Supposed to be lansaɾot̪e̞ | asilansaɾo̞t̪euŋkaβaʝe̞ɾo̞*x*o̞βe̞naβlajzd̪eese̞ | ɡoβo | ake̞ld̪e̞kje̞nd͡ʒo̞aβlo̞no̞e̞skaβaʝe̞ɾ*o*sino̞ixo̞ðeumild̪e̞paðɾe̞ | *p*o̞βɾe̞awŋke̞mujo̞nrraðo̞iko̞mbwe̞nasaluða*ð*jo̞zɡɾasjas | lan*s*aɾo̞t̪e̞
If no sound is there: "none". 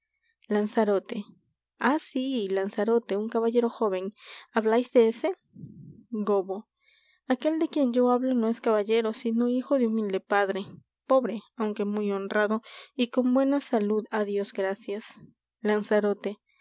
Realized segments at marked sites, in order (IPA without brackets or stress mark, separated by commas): x, o, p, ð, s